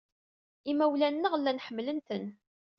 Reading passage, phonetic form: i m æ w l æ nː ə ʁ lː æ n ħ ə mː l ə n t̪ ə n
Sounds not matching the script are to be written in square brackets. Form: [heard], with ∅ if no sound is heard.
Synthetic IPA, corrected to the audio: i m æ w l æ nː ə ʁ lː æ n ħ ə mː l ə n t̪ ə n